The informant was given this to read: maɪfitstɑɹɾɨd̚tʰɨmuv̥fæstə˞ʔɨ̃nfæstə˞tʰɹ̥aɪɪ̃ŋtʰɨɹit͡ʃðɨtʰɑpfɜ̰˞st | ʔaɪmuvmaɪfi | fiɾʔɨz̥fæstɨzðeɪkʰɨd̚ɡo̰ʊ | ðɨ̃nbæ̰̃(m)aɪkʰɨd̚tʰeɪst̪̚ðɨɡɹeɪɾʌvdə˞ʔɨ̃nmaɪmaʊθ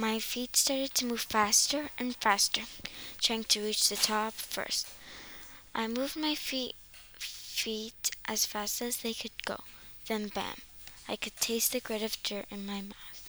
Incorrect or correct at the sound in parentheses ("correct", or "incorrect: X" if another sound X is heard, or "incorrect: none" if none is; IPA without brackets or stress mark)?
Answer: correct